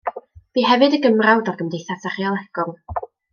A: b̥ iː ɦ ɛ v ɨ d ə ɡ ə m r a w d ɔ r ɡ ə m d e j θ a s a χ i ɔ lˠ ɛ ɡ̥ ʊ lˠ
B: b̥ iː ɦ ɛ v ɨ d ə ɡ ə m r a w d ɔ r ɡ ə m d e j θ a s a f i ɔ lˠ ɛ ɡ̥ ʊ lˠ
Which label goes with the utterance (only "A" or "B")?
A